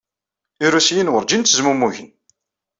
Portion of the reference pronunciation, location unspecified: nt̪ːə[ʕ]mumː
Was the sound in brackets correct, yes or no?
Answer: no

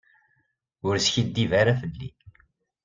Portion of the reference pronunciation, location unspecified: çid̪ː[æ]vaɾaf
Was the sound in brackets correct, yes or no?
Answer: no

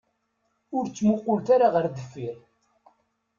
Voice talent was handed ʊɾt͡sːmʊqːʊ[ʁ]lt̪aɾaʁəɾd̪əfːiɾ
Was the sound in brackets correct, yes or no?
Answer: no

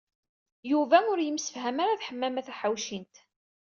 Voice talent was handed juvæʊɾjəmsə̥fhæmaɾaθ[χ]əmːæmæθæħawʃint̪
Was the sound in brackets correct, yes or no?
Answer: no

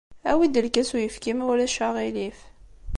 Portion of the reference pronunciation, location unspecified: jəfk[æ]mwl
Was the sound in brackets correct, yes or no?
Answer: no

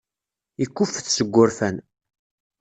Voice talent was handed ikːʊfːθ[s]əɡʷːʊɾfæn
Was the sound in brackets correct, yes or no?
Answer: yes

